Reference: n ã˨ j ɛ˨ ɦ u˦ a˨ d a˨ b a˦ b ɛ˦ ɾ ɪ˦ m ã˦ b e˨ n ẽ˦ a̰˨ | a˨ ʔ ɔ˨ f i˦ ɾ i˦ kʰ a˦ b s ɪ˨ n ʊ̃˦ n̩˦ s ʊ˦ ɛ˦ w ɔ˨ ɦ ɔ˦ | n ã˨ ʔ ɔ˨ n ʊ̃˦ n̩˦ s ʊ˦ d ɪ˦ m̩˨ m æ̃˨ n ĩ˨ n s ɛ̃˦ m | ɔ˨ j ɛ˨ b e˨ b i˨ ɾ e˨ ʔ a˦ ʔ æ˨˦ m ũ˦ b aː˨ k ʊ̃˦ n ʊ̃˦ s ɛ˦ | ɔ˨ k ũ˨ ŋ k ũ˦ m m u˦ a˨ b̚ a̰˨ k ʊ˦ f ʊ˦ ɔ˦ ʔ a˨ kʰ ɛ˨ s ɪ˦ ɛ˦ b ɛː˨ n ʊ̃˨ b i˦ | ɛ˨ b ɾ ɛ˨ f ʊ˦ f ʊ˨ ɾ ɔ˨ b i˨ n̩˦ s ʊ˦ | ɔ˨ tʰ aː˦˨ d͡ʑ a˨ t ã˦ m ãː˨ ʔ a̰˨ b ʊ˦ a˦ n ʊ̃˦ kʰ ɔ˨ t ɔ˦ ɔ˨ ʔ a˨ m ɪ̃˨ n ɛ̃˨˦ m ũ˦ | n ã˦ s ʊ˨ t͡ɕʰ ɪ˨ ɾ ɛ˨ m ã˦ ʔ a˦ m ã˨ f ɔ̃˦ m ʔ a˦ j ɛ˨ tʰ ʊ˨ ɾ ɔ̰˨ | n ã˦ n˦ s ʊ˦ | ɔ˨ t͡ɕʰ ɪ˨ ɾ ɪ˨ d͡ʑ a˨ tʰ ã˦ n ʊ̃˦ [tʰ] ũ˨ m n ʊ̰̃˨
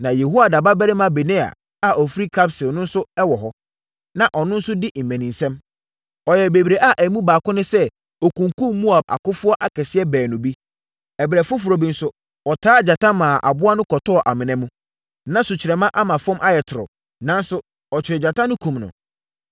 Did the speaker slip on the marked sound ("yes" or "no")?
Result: yes